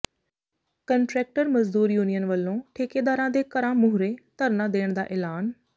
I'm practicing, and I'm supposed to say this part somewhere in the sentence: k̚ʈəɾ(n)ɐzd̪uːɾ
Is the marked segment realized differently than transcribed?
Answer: yes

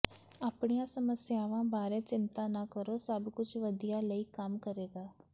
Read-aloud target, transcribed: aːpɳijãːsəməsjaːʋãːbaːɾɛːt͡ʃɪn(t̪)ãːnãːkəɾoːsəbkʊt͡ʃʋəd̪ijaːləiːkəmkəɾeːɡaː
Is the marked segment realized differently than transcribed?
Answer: no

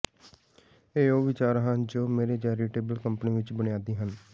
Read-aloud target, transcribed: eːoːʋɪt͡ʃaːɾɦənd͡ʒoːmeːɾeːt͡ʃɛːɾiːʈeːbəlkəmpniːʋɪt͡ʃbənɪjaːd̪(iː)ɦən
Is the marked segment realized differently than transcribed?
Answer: no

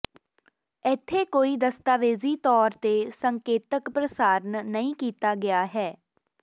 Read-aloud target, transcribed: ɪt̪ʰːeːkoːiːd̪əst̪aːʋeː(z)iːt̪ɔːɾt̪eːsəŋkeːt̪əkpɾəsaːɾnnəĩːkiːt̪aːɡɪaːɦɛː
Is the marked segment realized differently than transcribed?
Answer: no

